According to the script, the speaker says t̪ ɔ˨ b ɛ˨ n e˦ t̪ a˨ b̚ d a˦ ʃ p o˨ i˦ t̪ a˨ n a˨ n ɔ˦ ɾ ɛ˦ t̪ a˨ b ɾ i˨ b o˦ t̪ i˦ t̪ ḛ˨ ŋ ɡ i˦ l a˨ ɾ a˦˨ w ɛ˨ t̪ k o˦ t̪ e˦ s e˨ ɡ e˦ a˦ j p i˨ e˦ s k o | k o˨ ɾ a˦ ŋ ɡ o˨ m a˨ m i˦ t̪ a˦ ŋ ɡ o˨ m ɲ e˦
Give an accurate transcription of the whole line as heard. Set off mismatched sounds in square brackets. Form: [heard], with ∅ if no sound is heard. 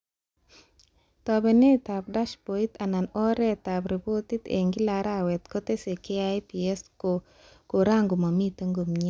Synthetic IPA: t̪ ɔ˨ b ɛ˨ n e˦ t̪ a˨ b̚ d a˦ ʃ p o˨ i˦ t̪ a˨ n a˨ n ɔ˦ ɾ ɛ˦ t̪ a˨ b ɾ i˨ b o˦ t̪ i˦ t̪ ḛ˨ ŋ ɡ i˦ l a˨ ɾ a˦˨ w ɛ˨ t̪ k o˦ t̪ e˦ s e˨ [k] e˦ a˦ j p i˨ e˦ s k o | k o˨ ɾ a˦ ŋ ɡ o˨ m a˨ m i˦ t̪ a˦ ŋ ɡ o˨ m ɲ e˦